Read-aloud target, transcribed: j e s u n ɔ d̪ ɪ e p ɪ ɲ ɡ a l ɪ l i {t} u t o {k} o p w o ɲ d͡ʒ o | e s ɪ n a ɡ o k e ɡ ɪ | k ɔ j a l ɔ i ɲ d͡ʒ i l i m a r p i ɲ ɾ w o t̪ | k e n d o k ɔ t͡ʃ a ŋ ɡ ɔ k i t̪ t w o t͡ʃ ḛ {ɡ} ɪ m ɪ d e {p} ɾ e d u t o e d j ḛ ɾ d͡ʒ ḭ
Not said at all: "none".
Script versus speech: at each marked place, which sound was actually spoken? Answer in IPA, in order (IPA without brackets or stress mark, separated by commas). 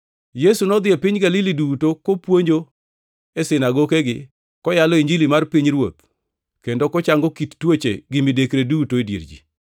d, k, ɡ, k